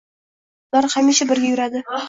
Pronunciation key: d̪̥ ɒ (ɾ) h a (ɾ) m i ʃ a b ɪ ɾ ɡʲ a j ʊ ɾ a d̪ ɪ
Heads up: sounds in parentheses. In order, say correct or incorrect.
correct, incorrect: none

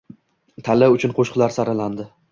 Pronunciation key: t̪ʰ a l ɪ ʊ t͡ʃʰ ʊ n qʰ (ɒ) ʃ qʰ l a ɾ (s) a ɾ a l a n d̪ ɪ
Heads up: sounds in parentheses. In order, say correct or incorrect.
incorrect: o, correct

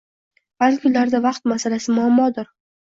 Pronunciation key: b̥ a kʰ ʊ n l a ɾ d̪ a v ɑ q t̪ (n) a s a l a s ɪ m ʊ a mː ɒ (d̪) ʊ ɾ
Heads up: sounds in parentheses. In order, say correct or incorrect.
incorrect: m, correct

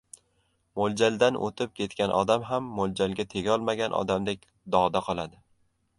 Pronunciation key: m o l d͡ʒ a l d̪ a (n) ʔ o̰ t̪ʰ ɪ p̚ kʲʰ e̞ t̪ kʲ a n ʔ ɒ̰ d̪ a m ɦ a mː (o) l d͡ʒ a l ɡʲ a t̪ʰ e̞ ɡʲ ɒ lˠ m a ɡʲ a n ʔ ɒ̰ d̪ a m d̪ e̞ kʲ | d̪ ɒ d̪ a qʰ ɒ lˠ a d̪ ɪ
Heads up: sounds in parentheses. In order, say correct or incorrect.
correct, correct

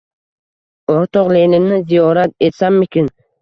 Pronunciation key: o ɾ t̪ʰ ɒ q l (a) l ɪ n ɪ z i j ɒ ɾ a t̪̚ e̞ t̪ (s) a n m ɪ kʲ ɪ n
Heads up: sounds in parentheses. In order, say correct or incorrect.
incorrect: e, correct

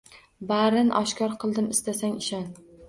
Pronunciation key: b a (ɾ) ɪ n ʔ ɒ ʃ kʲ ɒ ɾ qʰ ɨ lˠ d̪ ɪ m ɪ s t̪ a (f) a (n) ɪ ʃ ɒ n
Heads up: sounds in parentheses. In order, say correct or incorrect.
correct, incorrect: s, incorrect: ŋ

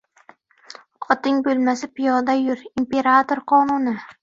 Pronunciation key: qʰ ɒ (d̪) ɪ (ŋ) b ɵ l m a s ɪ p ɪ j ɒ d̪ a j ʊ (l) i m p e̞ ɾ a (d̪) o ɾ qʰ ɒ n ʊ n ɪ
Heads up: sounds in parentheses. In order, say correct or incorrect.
incorrect: t̪, correct, incorrect: ɾ, incorrect: t̪

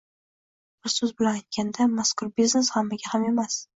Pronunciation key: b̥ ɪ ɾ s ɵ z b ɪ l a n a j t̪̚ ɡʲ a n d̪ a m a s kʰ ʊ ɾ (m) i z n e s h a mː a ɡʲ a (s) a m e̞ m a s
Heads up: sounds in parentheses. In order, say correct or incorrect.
incorrect: b, incorrect: h

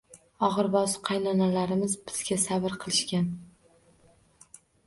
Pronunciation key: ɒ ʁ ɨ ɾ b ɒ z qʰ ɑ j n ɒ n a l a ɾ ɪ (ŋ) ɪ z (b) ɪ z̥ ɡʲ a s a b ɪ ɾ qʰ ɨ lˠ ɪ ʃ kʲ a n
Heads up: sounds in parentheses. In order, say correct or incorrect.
incorrect: m, correct

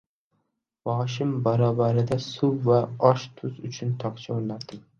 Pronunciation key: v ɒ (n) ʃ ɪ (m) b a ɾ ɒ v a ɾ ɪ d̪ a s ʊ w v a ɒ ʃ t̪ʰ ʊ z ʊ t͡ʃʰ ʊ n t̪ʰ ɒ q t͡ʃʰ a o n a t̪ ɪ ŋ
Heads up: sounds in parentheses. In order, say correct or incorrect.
incorrect: none, correct

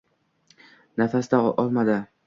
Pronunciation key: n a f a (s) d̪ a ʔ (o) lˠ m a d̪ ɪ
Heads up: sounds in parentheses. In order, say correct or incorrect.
correct, incorrect: ɒ

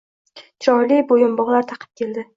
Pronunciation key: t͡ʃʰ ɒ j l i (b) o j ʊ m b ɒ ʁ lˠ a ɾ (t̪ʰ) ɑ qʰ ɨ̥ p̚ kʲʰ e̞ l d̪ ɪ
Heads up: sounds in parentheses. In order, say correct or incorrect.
correct, correct

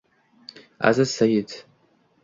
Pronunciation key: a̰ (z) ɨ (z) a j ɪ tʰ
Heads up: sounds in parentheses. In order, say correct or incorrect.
correct, incorrect: s

